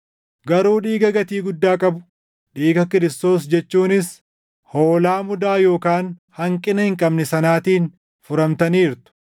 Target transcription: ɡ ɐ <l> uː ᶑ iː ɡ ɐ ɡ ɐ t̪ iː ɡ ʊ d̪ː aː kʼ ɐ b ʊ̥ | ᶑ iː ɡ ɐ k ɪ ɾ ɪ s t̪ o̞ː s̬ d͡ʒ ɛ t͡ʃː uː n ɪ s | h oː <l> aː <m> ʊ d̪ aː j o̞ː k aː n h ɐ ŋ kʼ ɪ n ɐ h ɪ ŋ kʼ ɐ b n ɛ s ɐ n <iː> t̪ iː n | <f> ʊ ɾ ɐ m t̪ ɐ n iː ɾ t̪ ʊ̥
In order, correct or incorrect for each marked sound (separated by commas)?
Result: incorrect, correct, correct, incorrect, correct